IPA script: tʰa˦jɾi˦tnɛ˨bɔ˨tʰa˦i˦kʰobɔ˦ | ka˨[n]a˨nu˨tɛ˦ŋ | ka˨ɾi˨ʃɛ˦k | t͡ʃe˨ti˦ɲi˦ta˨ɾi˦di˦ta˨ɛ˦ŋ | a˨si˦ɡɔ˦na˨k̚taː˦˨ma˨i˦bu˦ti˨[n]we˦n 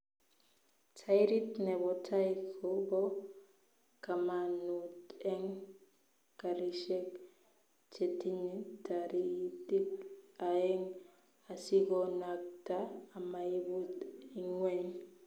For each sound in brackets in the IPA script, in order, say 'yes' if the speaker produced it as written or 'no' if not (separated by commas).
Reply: no, no